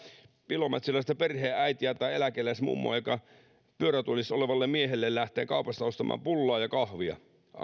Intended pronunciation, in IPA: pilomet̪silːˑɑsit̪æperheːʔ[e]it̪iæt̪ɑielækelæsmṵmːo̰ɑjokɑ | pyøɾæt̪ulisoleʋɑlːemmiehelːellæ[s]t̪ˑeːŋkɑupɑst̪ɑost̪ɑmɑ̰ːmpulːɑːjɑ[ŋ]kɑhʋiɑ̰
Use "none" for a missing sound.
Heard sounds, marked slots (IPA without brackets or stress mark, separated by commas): æ, h, none